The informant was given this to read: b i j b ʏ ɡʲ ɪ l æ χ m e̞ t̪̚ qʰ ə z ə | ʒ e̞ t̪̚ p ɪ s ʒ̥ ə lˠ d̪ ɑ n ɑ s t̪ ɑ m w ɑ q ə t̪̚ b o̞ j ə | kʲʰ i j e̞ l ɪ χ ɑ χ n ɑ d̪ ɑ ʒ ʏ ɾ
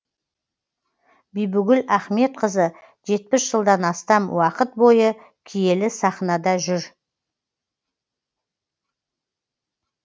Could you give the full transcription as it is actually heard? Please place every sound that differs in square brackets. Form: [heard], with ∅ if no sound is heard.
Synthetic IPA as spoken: b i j b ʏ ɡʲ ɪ l æ χ m e̞ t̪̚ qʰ ə z ə | ʒ e̞ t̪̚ p ɪ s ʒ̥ ə lˠ d̪ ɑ n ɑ s t̪ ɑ m w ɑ q ə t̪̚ b o̞ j ə | kʲʰ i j e̞ l ɪ [s] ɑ χ n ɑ d̪ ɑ ʒ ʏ ɾ

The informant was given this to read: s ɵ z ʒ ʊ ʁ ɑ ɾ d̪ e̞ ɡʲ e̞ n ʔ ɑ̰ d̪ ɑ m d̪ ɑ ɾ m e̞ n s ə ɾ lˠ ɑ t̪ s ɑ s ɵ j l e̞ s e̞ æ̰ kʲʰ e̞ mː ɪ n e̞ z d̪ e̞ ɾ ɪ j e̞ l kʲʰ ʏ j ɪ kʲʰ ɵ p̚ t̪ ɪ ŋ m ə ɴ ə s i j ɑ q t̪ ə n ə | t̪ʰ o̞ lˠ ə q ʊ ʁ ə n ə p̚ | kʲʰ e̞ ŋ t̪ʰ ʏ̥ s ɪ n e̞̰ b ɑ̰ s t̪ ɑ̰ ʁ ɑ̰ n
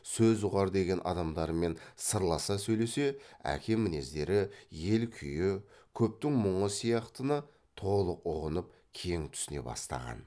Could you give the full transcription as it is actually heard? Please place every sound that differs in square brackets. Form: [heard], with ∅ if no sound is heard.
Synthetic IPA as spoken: s ɵ z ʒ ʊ ʁ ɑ ɾ d̪ e̞ ɡʲ e̞ n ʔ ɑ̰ d̪ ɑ m d̪ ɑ ɾ m e̞ n s ə ɾ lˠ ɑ [∅] s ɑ s ɵ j l e̞ s e̞ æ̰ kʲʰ e̞ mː ɪ n e̞ z d̪ e̞ ɾ ɪ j e̞ l kʲʰ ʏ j ɪ kʲʰ ɵ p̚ t̪ ɪ ŋ m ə ɴ ə s i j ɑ q t̪ ə n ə | t̪ʰ o̞ lˠ ə q ʊ ʁ ə n ə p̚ | kʲʰ e̞ ŋ t̪ʰ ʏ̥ s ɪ n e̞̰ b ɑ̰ s t̪ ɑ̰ ʁ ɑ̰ n

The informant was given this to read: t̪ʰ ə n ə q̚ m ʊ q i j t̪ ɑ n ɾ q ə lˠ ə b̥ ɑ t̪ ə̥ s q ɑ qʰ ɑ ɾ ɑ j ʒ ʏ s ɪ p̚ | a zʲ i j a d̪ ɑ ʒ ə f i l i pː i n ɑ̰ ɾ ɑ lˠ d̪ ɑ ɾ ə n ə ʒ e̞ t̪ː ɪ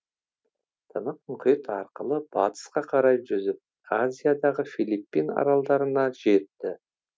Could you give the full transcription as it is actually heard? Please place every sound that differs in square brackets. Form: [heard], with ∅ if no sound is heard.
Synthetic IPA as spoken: t̪ʰ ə n ə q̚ m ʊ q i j t̪ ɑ [∅] ɾ q ə lˠ ə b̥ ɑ t̪ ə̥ s q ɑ qʰ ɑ ɾ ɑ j ʒ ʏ [z] ɪ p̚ | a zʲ i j a d̪ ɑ [ʁ] ə f i l i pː i n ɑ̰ ɾ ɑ lˠ d̪ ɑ ɾ ə n [ɑ] ʒ e̞ t̪ː ɪ

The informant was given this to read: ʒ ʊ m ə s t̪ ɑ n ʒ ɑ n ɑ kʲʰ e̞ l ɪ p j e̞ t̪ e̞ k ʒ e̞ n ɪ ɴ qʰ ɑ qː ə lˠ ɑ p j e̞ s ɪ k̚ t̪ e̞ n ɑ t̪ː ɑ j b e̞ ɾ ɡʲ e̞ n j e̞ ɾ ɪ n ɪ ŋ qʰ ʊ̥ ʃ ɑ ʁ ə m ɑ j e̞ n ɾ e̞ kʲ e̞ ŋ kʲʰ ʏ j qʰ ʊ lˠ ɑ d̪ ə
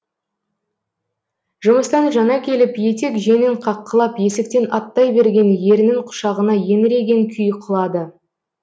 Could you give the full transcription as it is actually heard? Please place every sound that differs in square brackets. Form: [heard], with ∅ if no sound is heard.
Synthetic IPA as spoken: ʒ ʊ m ə s t̪ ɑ n ʒ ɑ n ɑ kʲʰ e̞ l ɪ p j e̞ t̪ e̞ k ʒ e̞ n ɪ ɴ qʰ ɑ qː ə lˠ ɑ p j e̞ s ɪ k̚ t̪ e̞ n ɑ t̪ː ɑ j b e̞ ɾ ɡʲ e̞ n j e̞ ɾ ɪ n ɪ ŋ qʰ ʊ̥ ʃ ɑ ʁ ə [n] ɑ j e̞ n ɾ e̞ [ɡʲ] e̞ ŋ kʲʰ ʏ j qʰ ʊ lˠ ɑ d̪ ə

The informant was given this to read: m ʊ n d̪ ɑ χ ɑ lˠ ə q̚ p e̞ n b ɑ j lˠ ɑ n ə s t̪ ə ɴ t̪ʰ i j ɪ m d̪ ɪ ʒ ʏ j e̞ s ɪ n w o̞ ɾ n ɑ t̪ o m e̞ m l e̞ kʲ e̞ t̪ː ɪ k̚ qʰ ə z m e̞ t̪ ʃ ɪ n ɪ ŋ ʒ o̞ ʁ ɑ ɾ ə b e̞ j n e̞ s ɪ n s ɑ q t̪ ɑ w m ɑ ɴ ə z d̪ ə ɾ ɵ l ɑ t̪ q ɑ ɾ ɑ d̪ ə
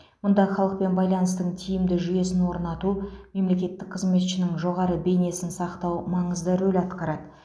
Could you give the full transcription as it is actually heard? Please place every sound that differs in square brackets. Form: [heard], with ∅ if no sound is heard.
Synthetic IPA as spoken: m ʊ n d̪ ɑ χ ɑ lˠ ə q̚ p e̞ n b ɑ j lˠ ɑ n ə s t̪ ə ɴ t̪ʰ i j ɪ m d̪ ɪ ʒ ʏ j e̞ s ɪ n w o̞ ɾ n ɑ t̪ [u] m e̞ m l e̞ kʲ e̞ t̪ː ɪ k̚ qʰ ə z m e̞ t̪ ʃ ɪ n ɪ ŋ ʒ o̞ ʁ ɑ ɾ ə b e̞ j n e̞ s ɪ n s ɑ q t̪ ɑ w m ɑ ɴ ə z d̪ ə ɾ ɵ l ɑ t̪ q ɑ ɾ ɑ d̪ ə

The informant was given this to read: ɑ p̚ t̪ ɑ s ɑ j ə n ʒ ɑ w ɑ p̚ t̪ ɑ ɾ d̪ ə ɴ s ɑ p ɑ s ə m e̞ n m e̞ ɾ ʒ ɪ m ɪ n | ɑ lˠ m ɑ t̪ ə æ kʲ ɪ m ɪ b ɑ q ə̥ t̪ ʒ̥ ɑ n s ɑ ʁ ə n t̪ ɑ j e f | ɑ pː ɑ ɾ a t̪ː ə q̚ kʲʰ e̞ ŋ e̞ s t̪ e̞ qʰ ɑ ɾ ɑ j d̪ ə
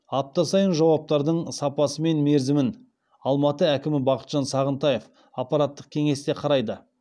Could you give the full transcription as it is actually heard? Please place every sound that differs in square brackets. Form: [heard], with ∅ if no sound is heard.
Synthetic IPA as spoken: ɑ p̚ t̪ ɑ s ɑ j ə n ʒ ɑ w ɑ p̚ t̪ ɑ ɾ d̪ ə ɴ s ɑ p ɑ s ə m e̞ n m e̞ ɾ [z] ɪ m ɪ n | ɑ lˠ m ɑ t̪ ə æ kʲ ɪ m ɪ b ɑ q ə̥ t̪ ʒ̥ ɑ n s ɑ ʁ ə n t̪ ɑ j e f | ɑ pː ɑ ɾ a t̪ː ə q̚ kʲʰ e̞ ŋ e̞ s t̪ e̞ qʰ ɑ ɾ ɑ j d̪ ə

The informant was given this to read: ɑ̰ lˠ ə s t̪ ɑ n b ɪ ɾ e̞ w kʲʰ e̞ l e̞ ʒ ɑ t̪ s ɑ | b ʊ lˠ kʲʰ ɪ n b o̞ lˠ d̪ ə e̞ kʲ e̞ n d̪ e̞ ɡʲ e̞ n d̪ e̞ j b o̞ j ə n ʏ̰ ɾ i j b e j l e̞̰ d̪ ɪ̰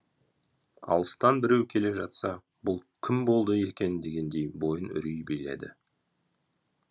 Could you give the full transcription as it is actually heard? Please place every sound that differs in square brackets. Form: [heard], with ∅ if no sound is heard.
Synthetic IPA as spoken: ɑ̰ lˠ ə s t̪ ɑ n b ɪ ɾ e̞ w kʲʰ e̞ l e̞ ʒ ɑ t̪ s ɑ | b ʊ lˠ kʲʰ ɪ [m] b o̞ lˠ d̪ ə e̞ kʲ e̞ n d̪ e̞ ɡʲ e̞ n d̪ e̞ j b o̞ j ə n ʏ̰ ɾ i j b e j l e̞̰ d̪ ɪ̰

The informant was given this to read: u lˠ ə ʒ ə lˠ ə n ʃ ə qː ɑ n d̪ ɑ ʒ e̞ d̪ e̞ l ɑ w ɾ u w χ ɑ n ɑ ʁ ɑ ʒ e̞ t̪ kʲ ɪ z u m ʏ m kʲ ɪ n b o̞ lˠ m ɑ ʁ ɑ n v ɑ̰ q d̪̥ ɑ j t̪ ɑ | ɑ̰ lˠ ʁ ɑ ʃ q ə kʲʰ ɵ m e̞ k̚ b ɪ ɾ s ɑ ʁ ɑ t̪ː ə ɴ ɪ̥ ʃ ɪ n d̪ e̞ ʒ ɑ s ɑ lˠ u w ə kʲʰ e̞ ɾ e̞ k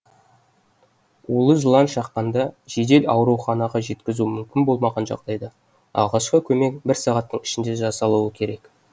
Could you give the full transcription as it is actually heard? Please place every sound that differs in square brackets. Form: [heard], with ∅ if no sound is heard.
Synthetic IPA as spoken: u lˠ ə ʒ ə lˠ [ɑ] n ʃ [ɑ] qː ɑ n d̪ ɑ ʒ e̞ d̪ e̞ l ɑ w ɾ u w χ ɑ n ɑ ʁ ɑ ʒ e̞ t̪ kʲ ɪ z u m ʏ m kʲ ɪ n b o̞ lˠ m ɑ ʁ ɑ n [ʒ] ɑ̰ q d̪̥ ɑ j [d̪] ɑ | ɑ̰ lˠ ʁ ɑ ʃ q ə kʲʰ ɵ m e̞ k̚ b ɪ ɾ s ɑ ʁ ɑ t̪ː ə ɴ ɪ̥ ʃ ɪ n d̪ e̞ ʒ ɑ s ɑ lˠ u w ə kʲʰ e̞ ɾ e̞ k

